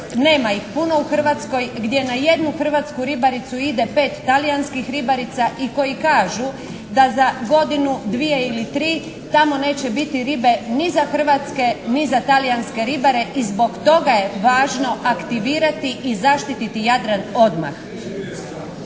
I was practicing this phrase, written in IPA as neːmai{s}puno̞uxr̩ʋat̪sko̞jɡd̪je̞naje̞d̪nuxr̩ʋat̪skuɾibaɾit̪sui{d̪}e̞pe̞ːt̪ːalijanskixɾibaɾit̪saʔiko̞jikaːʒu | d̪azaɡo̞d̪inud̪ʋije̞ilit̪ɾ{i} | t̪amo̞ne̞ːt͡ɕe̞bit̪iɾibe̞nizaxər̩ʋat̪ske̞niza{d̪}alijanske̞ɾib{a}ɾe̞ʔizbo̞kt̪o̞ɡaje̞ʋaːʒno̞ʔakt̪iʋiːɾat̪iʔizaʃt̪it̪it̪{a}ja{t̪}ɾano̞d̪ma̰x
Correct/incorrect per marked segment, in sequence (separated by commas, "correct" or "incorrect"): incorrect, correct, incorrect, incorrect, correct, incorrect, incorrect